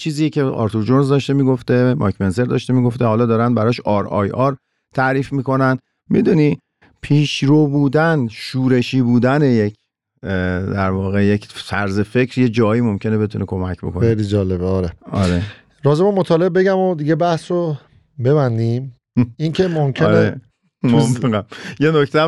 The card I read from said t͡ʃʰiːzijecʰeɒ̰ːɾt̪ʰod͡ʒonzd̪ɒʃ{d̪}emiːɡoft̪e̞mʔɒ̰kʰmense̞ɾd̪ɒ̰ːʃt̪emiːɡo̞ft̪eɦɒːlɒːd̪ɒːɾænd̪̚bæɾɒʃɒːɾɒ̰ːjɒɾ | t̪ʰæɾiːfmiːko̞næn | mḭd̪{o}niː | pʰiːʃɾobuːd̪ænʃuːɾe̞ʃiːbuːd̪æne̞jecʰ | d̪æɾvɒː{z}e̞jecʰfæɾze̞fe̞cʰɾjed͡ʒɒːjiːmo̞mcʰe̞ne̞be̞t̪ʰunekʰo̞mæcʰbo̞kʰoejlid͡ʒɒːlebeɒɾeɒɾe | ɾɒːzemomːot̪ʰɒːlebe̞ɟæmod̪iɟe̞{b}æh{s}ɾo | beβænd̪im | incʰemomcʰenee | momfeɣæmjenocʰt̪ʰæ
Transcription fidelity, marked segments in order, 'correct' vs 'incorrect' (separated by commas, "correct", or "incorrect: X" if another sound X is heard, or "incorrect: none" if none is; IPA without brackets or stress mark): incorrect: t̪, incorrect: u, incorrect: ɣ, correct, correct